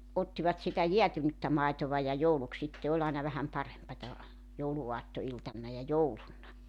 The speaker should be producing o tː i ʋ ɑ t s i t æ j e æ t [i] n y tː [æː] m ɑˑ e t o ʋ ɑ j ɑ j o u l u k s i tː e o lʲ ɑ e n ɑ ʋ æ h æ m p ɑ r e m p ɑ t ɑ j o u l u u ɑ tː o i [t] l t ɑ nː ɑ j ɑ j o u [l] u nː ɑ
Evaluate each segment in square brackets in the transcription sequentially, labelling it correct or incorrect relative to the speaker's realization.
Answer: incorrect: y, incorrect: æ, incorrect: none, correct

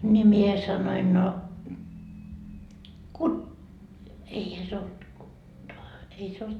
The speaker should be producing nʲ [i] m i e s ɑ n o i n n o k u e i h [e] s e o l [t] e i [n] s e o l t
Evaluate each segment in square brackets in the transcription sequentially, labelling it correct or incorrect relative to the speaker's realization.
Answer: correct, incorrect: æ, correct, incorrect: none

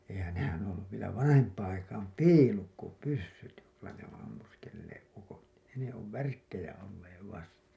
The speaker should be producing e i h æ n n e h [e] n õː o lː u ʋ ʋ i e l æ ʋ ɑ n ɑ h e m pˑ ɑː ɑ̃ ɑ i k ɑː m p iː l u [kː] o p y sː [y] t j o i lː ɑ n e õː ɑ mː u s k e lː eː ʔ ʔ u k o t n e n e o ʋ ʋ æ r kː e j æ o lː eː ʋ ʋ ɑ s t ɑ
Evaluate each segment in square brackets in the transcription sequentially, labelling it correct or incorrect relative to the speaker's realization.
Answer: incorrect: æ, correct, correct

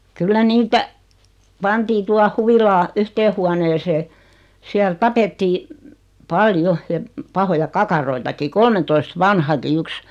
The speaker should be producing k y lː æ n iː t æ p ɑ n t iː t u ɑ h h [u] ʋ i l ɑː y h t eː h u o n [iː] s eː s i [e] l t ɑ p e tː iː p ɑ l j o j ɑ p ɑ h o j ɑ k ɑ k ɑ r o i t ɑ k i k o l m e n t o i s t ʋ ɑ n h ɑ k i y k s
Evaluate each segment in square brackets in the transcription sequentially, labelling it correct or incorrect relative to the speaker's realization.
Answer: correct, incorrect: eː, incorrect: æ

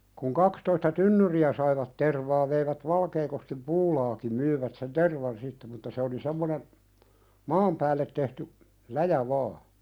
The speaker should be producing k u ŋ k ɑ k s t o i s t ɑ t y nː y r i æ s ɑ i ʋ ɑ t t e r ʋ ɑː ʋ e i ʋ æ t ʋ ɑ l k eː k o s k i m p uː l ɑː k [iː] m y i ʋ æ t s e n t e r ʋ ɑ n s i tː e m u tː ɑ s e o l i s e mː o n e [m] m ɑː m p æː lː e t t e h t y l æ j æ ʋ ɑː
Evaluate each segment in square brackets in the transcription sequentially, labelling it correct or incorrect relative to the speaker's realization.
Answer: incorrect: i, incorrect: n

